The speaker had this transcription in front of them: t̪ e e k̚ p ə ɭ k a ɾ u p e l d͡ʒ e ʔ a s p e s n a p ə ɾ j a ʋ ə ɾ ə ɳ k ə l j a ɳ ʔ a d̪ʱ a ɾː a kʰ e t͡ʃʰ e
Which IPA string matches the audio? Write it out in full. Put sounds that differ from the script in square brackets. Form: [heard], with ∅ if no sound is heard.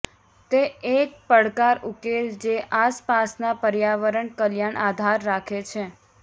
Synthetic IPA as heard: t̪ e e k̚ p ə [ɽ] k a ɾ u [k] e l d͡ʒ e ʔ a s p [a] s n a p ə ɾ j a ʋ ə ɾ ə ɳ k ə l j a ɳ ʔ a d̪ʱ a ɾː a kʰ e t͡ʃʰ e